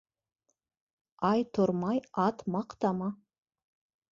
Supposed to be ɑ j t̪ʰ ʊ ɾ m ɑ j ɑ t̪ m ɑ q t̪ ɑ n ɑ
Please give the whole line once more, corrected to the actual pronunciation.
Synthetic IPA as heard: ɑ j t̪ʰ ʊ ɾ m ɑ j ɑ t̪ m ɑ q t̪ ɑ m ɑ